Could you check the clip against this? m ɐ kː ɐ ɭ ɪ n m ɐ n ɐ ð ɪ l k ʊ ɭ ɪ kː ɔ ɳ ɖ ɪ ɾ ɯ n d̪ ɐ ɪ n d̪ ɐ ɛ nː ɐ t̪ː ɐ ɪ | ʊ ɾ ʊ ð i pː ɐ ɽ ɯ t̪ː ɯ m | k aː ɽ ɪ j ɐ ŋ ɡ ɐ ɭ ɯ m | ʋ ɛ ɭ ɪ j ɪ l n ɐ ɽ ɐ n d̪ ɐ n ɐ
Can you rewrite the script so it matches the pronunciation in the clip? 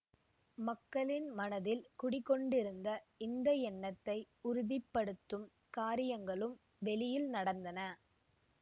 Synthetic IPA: m ɐ kː ɐ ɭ ɪ n m ɐ n ɐ ð ɪ l k ʊ ɽ ɪ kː ɔ ɳ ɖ ɪ ɾ ɯ n d̪ ɐ ɪ n d̪ ɐ ɛ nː ɐ t̪ː ɐ ɪ | ʊ ɾ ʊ ð ɪ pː ɐ ɽ ɯ t̪ː ɯ m | k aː ɾ ɪ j ɐ ŋ ɡ ɐ ɭ ɯ m | ʋ ɛ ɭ ɪ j ɪ l n ɐ ɽ ɐ n d̪ ɐ n ɐ